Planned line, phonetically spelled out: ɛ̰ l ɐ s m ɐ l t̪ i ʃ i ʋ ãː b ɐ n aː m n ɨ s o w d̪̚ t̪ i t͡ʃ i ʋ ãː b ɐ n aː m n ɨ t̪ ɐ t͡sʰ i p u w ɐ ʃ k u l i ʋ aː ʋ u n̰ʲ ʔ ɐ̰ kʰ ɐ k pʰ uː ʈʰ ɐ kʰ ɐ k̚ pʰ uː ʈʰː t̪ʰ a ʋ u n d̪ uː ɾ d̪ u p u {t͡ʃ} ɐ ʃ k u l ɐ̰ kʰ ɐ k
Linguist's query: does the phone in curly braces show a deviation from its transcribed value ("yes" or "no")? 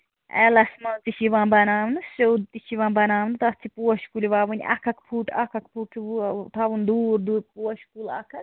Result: yes